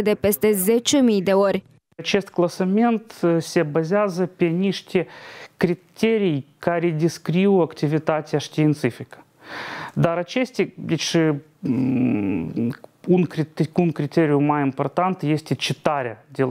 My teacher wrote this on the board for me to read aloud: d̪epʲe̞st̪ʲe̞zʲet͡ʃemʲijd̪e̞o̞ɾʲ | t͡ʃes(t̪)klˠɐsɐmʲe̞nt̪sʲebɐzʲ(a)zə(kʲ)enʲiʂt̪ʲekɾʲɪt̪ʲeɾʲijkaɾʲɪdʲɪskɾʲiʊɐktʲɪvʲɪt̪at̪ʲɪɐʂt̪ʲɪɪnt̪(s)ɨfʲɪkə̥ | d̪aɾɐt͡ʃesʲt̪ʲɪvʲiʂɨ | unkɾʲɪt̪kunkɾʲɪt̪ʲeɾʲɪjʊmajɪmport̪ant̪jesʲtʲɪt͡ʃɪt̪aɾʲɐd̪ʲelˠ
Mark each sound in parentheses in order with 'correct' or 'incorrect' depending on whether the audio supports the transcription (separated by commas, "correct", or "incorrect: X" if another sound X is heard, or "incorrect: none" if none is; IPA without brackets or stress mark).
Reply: correct, correct, incorrect: pʲ, correct